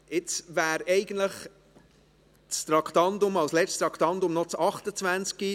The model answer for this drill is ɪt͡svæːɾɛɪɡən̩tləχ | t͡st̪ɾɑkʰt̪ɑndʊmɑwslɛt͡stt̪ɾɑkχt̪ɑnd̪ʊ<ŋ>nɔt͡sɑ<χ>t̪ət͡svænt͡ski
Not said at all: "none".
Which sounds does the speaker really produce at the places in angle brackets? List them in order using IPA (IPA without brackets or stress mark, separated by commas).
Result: m, χ